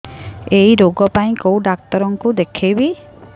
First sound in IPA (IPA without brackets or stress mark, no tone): e